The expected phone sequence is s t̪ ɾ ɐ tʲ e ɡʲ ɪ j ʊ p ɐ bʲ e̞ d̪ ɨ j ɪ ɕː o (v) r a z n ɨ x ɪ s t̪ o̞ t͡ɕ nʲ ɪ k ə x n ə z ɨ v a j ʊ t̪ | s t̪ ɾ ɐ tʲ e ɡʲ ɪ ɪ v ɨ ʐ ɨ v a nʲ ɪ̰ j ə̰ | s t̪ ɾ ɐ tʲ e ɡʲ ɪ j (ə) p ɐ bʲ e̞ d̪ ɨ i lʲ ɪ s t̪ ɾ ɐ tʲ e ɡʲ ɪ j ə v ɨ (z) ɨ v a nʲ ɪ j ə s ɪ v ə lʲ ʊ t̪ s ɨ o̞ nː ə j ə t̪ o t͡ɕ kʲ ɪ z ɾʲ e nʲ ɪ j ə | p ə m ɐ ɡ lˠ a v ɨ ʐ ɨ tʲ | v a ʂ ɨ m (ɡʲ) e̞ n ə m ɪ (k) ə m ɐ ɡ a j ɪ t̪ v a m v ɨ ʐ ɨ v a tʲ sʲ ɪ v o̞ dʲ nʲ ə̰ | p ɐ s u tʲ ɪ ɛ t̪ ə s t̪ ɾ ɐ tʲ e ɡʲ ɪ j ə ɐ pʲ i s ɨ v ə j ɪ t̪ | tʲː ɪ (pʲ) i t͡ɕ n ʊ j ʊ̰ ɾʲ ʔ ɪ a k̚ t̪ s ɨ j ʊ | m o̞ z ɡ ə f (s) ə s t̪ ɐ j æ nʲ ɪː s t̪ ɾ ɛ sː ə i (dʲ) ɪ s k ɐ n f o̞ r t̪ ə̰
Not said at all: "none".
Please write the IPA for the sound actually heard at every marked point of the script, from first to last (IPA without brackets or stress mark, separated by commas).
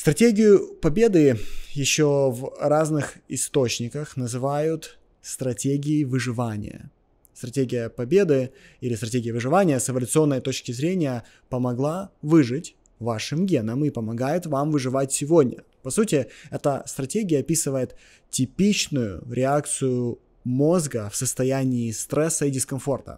v, ə, ʐ, ɡʲ, p, pʲ, s, dʲ